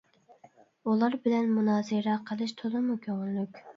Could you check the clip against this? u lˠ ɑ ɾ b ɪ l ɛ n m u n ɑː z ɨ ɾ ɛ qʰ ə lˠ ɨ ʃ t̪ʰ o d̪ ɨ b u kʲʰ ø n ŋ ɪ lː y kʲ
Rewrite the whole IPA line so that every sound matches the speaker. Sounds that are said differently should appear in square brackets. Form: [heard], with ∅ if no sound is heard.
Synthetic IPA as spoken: u lˠ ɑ ɾ b ɪ l ɛ n m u n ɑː z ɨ ɾ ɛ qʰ ə lˠ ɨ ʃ t̪ʰ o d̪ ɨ [m] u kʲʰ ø [∅] ŋ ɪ lː y kʲ